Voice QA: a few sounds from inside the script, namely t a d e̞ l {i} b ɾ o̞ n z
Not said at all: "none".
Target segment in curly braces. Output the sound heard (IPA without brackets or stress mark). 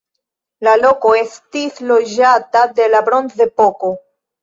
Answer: a